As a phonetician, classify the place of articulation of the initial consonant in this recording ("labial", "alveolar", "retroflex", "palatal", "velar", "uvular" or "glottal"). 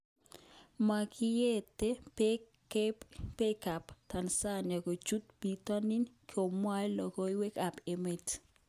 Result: labial